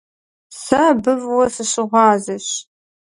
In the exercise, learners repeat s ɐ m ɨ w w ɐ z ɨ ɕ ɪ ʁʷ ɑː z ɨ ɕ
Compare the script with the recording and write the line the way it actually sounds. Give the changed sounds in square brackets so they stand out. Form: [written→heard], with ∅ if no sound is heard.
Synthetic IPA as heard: s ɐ [m→b] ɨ [w→v] w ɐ [z→s] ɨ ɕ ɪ ʁʷ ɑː z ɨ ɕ